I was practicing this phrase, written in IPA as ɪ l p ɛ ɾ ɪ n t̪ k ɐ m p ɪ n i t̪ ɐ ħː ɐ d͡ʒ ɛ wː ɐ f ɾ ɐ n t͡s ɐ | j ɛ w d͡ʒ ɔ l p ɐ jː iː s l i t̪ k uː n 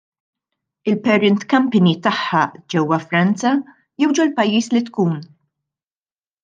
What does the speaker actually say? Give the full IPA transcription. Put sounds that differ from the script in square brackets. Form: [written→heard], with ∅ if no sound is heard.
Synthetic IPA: ɪ l p ɛ ɾ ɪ n t̪ k ɐ m p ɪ n i t̪ ɐ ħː ɐ d͡ʒ ɛ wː ɐ f ɾ ɐ n t͡s ɐ | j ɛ w d͡ʒ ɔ l p ɐ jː iː s l i t̪ k uː n